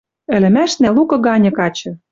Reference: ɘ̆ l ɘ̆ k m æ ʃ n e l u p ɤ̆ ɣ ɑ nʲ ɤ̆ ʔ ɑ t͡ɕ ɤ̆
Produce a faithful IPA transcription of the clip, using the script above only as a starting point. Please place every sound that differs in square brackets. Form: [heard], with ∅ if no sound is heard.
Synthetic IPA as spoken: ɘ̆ l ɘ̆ [∅] m æ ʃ n [æ] l u [k] ɤ̆ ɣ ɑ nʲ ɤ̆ [k] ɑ t͡ɕ ɤ̆